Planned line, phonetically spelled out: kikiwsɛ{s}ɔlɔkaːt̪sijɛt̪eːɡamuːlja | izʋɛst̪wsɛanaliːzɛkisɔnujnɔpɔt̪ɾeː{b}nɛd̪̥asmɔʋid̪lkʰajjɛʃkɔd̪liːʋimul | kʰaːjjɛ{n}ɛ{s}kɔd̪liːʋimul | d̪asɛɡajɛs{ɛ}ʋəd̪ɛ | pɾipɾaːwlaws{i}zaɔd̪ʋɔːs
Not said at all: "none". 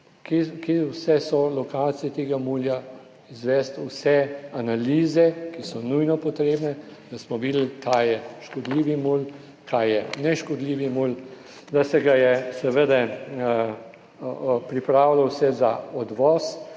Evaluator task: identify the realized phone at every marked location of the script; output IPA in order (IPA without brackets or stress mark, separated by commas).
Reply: s, b, n, ʃ, ɛ, ɛ